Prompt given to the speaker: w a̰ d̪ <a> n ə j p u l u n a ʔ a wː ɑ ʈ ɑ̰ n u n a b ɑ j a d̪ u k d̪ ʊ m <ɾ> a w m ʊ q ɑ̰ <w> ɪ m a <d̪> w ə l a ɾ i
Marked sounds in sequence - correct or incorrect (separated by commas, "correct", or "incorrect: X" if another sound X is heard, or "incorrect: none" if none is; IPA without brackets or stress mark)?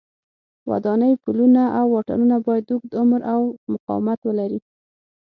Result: incorrect: ɑ, correct, correct, incorrect: t̪